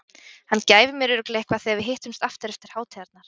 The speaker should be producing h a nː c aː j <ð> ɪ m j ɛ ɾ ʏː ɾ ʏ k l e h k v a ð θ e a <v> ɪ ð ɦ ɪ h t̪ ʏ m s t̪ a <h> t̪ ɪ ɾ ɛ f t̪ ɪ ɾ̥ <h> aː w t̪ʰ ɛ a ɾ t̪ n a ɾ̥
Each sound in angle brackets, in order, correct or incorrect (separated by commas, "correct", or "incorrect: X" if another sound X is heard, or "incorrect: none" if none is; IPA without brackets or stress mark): incorrect: v, correct, incorrect: f, correct